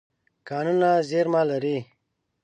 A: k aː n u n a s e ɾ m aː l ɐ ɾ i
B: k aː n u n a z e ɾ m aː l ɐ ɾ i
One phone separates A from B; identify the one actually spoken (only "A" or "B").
B